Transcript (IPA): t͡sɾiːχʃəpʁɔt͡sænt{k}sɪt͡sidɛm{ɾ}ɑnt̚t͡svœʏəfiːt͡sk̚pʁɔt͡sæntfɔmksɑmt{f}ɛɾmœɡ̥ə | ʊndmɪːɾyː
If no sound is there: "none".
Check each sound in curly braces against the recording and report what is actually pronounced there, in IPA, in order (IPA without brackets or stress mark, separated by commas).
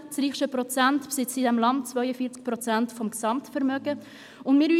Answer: p, l, f